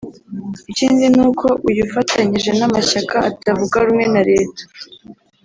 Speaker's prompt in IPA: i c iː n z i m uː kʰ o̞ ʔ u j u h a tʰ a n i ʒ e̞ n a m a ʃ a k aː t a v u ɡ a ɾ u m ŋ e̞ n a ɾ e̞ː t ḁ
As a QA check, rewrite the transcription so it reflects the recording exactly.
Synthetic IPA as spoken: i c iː n z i n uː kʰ o̞ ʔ u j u f a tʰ a ɲ i ʒ e̞ n a m a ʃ a k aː t a v u ɡ a ɾ u m ŋ e̞ n a ɾ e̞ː t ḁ